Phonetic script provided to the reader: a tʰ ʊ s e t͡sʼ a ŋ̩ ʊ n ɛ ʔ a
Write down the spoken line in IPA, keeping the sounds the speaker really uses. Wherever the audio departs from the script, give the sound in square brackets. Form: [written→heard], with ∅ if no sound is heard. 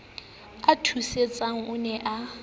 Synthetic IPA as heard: a tʰ [ʊ→u] s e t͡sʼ a ŋ̩ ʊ n ɛ ʔ a